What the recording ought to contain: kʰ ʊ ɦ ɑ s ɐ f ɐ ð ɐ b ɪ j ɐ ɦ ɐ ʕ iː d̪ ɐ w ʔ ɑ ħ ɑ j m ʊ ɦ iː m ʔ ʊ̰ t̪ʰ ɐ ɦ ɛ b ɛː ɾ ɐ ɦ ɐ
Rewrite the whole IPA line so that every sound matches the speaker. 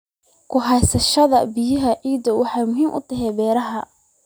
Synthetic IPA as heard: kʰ ʊ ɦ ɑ s ɐ ʃ ɐ ð ɐ b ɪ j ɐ ɦ ɐ ʕ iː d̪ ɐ w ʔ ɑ ħ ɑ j m ʊ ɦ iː m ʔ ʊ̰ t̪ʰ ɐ ɦ ɛ b ɛː ɾ ɐ ɦ ɐ